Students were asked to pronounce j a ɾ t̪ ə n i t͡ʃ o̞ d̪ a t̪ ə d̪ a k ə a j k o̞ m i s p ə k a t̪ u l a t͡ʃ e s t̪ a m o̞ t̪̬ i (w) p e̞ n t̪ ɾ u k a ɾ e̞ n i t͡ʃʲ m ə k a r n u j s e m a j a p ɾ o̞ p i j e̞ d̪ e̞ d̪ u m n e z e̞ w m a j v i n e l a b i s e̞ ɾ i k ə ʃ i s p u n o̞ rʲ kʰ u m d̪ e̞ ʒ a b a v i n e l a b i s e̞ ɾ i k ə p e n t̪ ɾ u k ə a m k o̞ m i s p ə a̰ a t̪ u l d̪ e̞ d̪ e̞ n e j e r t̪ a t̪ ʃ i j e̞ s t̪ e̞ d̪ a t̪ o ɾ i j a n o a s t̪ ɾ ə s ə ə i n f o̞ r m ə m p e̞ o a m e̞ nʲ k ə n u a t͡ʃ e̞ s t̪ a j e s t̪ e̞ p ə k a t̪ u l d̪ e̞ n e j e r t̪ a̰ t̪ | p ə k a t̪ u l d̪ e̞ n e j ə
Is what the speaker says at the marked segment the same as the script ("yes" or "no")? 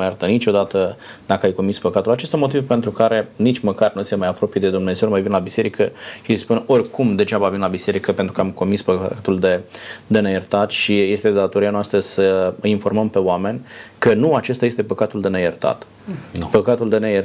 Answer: no